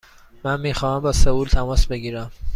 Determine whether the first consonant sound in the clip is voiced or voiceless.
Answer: voiced